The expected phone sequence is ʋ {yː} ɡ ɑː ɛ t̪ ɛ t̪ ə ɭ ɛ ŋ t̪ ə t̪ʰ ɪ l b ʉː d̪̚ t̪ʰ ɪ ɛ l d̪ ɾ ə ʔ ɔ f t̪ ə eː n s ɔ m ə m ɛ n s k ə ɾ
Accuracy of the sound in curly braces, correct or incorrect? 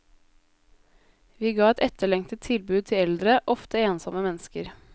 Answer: incorrect